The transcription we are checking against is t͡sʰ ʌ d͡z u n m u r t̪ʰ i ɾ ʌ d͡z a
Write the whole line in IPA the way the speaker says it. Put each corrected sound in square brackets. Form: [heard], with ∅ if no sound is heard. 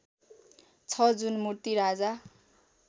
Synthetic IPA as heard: t͡sʰ ʌ d͡z u n m u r [t̪] i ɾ [a] d͡z a